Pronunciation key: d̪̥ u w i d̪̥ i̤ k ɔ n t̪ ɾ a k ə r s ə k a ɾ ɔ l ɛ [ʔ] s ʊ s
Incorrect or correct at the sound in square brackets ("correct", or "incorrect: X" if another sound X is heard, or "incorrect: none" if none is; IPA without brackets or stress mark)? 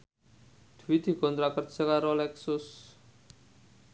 incorrect: k